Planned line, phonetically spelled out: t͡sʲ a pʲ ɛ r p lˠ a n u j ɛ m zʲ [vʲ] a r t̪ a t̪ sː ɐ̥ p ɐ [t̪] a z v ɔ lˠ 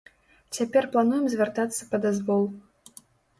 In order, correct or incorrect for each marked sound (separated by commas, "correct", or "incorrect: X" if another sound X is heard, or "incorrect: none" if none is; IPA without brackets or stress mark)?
correct, incorrect: d̪